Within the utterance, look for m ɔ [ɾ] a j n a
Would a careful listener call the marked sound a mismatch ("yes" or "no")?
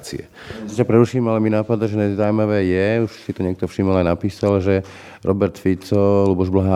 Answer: yes